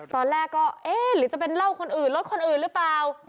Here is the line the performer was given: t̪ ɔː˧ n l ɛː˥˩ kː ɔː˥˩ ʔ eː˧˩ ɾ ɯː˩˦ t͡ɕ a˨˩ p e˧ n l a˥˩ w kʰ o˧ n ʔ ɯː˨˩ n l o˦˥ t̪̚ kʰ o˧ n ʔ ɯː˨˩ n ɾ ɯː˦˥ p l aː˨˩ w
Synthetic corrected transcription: t̪ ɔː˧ n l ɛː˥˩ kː ɔː˥˩ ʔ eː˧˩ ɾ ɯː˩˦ t͡ɕ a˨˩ p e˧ n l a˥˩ w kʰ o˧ n ʔ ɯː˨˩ n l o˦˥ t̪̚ kʰ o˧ n ʔ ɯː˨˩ n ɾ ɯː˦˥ p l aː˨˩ w